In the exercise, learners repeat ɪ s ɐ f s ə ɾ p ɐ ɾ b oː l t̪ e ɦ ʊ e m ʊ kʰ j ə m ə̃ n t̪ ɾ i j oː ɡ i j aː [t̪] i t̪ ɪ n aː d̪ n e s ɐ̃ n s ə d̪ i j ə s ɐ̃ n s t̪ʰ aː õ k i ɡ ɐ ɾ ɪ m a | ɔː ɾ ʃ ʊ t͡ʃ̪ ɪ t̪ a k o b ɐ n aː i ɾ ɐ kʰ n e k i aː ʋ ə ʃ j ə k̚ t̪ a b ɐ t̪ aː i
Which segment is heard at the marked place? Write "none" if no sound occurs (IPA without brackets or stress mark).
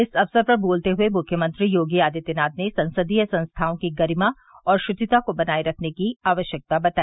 d̪